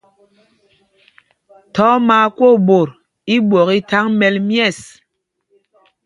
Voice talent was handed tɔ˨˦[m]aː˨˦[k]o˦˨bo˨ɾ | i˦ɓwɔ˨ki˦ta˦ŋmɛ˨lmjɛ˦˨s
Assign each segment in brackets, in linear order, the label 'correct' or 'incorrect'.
correct, correct

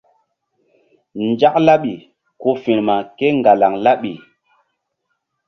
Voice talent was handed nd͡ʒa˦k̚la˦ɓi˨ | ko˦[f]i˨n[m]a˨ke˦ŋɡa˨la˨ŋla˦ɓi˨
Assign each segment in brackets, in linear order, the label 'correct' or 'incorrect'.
correct, correct

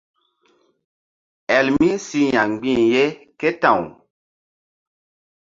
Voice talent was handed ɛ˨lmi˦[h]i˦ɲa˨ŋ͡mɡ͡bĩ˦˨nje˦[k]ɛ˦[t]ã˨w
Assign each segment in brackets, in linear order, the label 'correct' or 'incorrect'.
incorrect: s, correct, correct

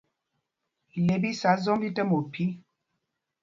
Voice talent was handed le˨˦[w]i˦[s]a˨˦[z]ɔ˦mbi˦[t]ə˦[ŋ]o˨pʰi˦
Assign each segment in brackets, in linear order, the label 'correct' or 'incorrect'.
incorrect: b, correct, correct, correct, incorrect: m

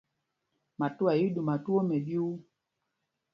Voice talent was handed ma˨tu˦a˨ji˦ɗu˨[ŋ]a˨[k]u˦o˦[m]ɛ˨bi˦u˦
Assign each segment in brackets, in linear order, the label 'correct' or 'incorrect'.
incorrect: m, incorrect: t, correct

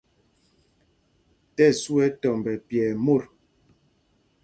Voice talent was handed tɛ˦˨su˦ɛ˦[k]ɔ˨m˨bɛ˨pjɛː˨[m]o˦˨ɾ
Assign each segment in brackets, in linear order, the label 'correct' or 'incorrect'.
incorrect: t, correct

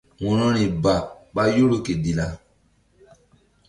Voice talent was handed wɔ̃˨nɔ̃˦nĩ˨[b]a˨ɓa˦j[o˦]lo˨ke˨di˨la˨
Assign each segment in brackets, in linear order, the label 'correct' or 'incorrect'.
correct, correct

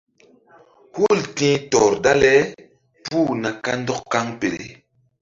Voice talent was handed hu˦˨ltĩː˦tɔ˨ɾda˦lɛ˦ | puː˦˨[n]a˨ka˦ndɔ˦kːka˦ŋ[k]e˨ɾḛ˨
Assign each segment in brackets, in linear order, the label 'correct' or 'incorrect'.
correct, incorrect: p

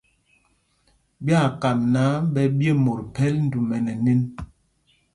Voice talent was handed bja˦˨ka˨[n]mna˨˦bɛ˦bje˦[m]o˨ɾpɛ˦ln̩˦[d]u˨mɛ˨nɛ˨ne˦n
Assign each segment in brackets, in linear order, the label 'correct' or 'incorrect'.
incorrect: none, correct, correct

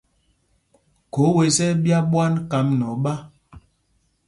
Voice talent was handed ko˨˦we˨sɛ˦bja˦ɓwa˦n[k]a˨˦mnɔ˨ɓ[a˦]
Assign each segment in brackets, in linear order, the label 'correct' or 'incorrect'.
correct, correct

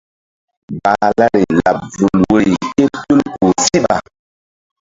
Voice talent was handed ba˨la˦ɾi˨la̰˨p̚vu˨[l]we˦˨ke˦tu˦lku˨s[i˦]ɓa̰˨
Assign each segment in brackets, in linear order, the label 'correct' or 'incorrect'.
correct, correct

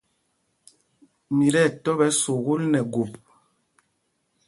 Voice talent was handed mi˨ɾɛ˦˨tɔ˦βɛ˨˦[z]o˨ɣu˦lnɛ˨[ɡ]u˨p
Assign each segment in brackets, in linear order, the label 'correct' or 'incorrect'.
incorrect: s, correct

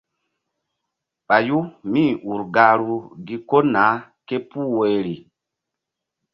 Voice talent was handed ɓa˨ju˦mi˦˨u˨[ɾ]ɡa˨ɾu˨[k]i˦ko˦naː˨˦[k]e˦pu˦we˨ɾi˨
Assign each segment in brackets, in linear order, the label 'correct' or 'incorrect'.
correct, incorrect: ɡ, correct

